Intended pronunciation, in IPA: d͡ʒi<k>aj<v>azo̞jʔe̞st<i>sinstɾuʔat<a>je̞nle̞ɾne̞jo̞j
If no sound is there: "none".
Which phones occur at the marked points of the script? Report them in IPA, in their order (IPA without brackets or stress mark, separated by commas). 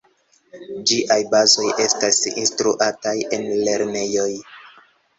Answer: ʔ, b, a, a